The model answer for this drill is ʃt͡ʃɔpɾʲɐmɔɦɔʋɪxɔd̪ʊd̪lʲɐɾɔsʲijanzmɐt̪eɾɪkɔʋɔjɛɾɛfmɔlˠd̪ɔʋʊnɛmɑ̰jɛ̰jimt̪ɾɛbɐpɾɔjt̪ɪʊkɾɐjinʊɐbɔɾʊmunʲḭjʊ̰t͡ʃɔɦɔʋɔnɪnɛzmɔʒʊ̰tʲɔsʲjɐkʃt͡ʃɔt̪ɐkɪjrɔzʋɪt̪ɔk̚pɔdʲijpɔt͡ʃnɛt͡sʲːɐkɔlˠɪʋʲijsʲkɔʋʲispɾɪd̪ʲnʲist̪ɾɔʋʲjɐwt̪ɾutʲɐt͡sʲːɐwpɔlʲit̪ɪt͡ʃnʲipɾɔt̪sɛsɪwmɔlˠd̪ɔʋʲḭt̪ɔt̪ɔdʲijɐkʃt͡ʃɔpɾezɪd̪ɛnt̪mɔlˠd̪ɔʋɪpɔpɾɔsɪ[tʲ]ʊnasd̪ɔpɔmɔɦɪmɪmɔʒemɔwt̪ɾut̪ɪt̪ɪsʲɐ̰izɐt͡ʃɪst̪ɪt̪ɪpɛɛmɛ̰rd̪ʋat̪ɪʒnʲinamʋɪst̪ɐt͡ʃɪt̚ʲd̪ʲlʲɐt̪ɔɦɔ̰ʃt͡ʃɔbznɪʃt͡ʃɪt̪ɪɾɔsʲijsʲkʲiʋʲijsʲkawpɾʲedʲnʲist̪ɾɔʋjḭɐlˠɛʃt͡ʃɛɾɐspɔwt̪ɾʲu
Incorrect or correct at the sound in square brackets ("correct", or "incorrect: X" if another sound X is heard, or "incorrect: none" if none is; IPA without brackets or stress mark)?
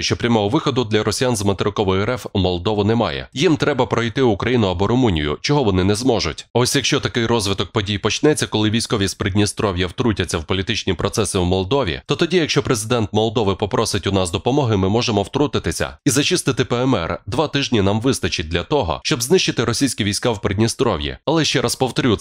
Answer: correct